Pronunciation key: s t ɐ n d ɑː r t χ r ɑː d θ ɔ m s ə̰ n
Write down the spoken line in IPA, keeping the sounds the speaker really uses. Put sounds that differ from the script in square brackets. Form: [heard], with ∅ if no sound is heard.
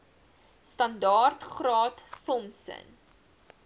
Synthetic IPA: s t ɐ n d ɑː r t χ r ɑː [t] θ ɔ m s ə̰ n